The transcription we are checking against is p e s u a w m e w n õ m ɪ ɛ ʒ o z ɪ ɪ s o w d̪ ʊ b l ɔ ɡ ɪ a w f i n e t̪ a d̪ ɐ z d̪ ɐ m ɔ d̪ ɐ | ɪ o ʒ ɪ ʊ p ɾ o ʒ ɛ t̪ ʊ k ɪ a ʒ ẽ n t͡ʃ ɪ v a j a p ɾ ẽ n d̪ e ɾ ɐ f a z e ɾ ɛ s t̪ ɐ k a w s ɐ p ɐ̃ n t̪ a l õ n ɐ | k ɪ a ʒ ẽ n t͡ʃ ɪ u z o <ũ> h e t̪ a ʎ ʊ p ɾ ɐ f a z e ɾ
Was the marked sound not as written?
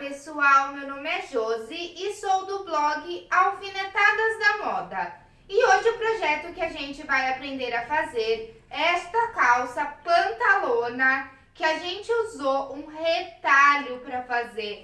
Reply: no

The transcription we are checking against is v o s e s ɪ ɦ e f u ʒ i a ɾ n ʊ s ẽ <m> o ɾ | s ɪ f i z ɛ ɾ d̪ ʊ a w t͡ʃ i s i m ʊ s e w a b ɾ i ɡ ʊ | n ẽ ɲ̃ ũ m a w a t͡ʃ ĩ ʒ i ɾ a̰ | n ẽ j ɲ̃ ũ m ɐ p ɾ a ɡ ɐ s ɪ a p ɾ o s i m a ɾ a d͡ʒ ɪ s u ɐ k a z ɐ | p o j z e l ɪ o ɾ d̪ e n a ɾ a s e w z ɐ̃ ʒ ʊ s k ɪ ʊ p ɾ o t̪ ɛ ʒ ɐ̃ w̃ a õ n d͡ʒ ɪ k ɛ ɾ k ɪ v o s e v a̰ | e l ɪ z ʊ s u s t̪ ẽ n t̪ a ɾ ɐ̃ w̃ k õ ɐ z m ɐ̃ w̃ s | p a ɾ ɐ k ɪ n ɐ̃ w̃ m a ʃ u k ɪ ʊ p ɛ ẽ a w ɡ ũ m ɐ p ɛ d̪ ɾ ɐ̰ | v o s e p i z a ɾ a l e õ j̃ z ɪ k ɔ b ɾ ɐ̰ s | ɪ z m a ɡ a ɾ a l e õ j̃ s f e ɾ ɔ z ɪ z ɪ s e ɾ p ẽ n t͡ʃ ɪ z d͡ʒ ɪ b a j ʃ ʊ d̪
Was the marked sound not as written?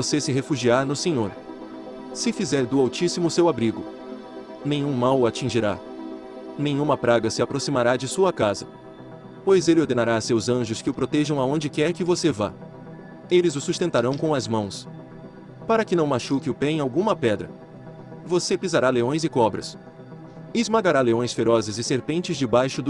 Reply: yes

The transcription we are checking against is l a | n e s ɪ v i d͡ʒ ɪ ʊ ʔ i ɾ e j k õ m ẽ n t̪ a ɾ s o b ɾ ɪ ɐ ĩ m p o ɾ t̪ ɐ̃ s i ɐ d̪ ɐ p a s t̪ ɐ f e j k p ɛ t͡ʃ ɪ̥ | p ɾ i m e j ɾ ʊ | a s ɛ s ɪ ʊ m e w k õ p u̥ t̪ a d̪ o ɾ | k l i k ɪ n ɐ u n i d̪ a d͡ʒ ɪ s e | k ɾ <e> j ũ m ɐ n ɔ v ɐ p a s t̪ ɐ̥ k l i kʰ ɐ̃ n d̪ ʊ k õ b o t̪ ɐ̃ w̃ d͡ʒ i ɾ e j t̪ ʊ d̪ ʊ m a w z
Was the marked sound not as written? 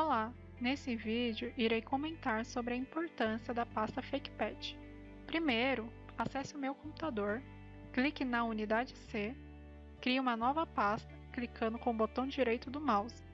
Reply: yes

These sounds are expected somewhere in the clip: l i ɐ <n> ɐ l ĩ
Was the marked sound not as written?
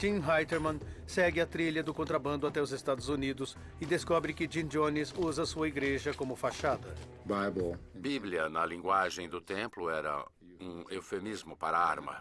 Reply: no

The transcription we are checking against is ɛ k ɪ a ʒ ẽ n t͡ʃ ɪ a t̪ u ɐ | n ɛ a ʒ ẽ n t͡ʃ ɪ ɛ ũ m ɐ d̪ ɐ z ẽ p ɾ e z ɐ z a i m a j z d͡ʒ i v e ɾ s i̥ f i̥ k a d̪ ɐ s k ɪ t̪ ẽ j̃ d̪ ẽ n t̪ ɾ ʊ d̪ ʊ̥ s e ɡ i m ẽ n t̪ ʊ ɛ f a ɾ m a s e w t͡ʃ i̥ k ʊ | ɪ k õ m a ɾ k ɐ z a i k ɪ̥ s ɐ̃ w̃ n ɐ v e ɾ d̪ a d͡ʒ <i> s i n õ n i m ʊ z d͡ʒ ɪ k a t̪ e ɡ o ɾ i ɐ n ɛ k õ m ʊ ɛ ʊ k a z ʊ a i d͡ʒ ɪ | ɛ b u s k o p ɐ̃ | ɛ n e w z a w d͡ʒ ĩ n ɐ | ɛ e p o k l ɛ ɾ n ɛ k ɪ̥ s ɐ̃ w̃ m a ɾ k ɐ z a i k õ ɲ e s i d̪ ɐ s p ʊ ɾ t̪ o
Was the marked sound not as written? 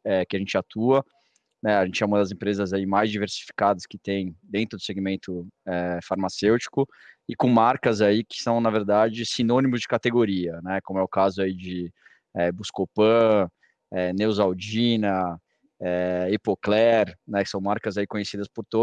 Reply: yes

